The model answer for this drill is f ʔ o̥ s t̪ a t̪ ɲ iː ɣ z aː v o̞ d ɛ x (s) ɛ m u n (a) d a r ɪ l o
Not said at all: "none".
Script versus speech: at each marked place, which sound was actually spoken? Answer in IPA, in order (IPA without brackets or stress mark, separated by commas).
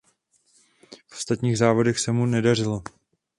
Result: s, ɛ